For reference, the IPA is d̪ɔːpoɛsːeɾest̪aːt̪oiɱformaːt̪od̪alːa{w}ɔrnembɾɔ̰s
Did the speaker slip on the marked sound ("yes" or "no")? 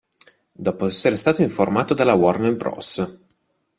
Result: no